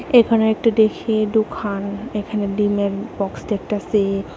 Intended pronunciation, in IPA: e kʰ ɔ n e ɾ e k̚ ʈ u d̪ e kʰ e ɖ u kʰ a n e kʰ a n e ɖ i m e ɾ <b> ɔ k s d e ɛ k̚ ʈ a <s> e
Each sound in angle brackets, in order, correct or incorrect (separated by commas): correct, correct